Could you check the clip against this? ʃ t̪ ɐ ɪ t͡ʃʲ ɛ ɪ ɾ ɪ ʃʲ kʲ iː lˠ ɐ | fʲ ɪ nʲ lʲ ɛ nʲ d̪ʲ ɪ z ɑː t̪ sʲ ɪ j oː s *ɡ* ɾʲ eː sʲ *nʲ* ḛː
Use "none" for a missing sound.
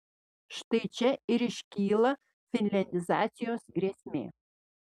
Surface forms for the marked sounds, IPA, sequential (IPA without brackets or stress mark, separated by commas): ɡ, mʲ